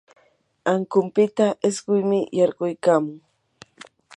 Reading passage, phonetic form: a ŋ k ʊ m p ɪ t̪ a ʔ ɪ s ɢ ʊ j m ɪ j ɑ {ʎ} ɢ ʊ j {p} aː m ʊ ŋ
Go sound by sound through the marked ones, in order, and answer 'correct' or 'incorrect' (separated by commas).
incorrect, incorrect